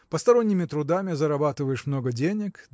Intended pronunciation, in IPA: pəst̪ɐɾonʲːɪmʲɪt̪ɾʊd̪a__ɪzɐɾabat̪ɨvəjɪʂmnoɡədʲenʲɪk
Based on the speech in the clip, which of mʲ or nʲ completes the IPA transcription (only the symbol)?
mʲ